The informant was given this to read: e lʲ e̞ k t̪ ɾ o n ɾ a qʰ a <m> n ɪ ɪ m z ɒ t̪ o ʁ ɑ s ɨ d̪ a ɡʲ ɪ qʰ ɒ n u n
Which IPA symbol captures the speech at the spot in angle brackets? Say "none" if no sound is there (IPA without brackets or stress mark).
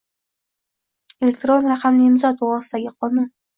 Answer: m